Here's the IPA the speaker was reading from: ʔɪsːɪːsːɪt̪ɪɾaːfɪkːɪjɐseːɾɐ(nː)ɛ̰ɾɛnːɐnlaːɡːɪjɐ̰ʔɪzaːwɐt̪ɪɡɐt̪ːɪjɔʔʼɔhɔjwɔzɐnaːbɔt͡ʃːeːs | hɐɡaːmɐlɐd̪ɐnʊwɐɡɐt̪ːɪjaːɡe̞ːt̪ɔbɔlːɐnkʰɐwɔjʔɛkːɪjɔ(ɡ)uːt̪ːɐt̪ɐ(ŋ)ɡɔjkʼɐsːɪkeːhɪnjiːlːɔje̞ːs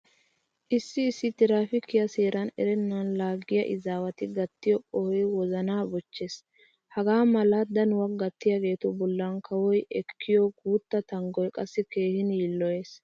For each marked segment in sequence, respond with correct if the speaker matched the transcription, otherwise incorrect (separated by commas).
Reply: incorrect, correct, correct